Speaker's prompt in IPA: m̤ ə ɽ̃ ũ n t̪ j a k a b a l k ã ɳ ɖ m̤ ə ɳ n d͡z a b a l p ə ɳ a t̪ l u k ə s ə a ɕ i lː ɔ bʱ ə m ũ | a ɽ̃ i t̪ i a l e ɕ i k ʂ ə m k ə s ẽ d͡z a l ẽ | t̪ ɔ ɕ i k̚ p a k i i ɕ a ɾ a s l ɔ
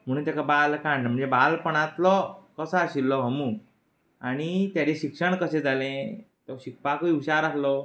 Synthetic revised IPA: m̤ ə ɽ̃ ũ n t̪ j a k a b a l k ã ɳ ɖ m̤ ə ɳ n d͡z e b a l p ə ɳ a t̪ l ɔ k ə s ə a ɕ i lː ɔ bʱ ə m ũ | a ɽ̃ i t̪ j a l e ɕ i k ʂ ə ɳ k ə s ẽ d͡z a l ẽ | t̪ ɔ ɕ i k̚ p a k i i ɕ a ɾ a s l ɔ

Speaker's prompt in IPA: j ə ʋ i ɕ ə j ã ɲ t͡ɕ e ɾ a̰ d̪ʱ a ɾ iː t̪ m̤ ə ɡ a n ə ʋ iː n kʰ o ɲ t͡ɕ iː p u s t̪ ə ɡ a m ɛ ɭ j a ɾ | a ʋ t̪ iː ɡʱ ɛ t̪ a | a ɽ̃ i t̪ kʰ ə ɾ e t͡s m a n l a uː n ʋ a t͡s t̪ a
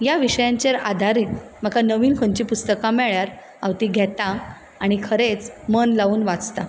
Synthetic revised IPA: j a ʋ i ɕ ə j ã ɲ t͡ɕ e ɾ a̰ d̪ʱ a ɾ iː t̪ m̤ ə k a n ə ʋ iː n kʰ o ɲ t͡ɕ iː p u s t̪ ə k a m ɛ ɭ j a ɾ | a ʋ t̪ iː ɡʱ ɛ t̪ a | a ɽ̃ i kʰ ə ɾ e t͡s m ə n l a uː n ʋ a t͡s t̪ a

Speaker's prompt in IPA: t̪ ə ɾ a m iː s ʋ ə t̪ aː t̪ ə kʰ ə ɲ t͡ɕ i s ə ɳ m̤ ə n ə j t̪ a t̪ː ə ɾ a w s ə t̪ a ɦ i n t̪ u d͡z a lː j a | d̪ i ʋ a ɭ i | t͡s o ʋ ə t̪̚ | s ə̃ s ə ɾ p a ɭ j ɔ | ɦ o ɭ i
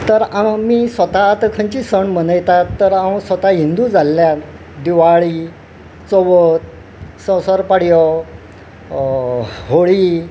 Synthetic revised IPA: t̪ ə ɾ a m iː s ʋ ə t̪ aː t̪ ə kʰ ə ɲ t͡ɕ i s ə ɳ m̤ ə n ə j t̪ a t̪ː ə ɾ a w s ə t̪ a ɦ i n d̪ u d͡z a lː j a | d̪ i ʋ a ɭ i | t͡s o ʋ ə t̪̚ | s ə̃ s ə ɾ p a ɽ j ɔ | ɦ o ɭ i

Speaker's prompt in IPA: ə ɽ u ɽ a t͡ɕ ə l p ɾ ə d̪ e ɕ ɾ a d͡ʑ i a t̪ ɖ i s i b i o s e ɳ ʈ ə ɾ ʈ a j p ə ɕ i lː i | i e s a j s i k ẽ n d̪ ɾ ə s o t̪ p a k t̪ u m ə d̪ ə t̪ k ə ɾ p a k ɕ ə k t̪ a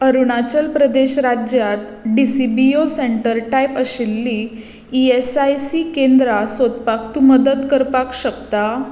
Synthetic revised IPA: ə ɾ u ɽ a t͡ɕ ə l p ɾ ə d̪ e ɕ ɾ a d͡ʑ j a t̪ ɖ i s i b i o s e ɳ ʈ ə ɾ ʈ a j p ə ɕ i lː i | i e s a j s i k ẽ n d̪ ɾ a s o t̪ p a k t̪ u m ə d̪ ə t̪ k ə ɾ p a k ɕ ə k t̪ a

